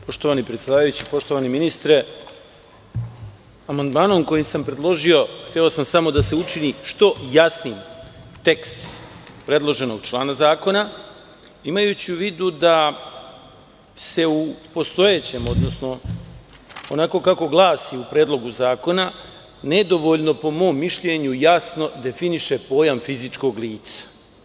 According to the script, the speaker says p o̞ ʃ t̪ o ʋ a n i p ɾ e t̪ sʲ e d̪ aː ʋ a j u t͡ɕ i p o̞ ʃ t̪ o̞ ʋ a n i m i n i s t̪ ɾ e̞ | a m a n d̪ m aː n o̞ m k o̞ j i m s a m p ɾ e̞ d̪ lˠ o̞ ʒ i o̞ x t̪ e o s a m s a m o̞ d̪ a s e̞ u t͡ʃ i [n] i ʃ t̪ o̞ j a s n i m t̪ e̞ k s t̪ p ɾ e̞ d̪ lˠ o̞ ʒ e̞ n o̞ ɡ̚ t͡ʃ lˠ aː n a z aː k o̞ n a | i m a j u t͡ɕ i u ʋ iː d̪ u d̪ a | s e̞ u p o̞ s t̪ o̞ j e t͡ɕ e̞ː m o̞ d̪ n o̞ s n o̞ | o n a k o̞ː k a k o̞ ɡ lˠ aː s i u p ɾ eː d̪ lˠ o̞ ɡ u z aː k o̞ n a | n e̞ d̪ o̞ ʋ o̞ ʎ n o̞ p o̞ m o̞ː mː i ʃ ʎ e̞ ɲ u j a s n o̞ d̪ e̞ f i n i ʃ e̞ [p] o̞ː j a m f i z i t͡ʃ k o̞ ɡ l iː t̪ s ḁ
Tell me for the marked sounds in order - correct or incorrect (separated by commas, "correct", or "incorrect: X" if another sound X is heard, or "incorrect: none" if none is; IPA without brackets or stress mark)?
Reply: correct, correct